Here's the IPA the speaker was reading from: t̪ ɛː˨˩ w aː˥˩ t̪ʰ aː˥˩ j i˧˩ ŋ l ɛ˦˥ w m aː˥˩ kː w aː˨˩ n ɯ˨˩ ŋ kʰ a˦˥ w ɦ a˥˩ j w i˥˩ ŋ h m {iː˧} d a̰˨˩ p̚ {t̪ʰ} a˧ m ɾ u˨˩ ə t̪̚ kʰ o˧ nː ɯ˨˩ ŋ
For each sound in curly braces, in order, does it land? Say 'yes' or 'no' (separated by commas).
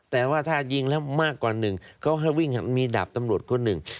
yes, no